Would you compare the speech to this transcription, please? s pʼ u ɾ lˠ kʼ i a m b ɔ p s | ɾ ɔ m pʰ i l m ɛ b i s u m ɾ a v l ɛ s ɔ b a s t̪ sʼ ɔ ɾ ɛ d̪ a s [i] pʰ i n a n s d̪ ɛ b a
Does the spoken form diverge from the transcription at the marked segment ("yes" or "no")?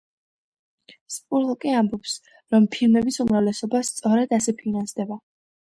yes